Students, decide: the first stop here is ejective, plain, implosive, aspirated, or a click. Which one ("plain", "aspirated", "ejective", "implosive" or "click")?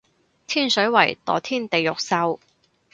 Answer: aspirated